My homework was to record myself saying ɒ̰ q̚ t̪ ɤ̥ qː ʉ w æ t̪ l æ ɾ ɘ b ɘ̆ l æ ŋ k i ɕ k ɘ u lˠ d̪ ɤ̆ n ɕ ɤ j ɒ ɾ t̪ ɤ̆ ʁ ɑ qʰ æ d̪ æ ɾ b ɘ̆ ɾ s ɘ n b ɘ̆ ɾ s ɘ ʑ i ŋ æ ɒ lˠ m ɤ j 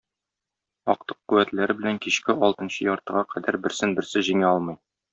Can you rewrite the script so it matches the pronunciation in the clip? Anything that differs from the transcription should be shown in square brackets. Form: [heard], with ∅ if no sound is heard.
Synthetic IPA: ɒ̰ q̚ t̪ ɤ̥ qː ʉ w æ t̪ l æ ɾ ɘ b ɘ̆ l æ ŋ k i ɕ k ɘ [ɒ] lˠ [t̪] ɤ̆ n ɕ ɤ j ɒ ɾ t̪ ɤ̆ ʁ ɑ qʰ æ d̪ æ ɾ b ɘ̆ ɾ s ɘ n b ɘ̆ ɾ s ɘ ʑ i ŋ æ ɒ lˠ m ɤ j